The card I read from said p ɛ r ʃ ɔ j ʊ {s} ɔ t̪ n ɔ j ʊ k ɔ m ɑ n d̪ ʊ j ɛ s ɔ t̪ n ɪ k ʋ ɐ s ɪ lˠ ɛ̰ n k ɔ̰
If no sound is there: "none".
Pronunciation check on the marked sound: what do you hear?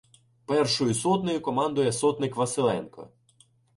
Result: s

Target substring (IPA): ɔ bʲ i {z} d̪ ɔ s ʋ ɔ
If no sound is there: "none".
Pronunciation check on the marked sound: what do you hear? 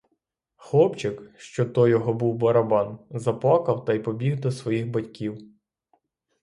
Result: ɣ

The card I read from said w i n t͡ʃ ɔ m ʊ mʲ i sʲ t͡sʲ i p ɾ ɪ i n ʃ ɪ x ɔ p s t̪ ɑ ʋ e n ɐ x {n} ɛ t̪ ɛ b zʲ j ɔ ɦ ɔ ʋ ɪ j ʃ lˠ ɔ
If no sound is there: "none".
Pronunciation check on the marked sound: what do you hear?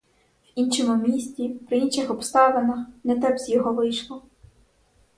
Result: n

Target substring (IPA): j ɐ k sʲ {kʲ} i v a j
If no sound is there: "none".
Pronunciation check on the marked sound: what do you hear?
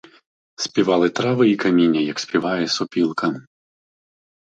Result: pʲ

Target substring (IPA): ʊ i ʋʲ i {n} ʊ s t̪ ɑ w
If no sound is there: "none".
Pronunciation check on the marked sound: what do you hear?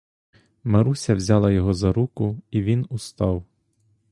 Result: n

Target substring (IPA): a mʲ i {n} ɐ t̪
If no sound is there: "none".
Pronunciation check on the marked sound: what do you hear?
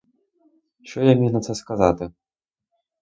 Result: n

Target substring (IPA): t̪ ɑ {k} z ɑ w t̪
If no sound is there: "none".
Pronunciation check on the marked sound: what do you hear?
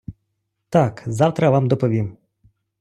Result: k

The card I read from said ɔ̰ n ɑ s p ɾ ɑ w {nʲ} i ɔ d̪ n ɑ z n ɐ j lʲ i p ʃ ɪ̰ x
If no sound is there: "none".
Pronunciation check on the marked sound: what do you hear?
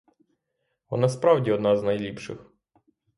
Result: dʲ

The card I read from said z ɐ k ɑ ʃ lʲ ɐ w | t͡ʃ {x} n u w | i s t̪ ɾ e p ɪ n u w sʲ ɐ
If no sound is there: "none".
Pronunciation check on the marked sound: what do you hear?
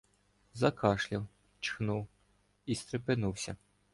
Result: x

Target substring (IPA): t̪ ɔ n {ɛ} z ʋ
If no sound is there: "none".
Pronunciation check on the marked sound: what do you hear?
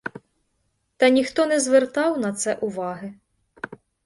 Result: ɛ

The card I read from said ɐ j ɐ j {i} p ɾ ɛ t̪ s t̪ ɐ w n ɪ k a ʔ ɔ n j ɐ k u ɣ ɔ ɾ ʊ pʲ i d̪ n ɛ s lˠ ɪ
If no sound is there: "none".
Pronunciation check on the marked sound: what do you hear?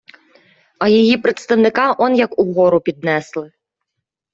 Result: i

